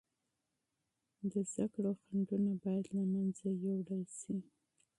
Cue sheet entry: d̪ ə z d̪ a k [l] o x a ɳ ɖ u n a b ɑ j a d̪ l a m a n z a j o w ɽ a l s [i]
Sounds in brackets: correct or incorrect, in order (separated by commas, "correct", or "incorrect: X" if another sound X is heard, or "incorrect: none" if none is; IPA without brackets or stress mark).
incorrect: ɽ, correct